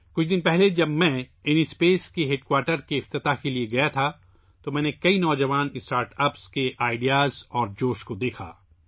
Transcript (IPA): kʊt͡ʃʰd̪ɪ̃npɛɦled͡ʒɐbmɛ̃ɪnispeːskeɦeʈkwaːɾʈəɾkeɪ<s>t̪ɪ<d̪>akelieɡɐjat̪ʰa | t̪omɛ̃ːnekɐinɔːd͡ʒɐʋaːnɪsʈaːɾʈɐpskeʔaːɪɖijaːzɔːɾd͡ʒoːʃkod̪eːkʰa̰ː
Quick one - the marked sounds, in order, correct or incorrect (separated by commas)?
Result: incorrect, incorrect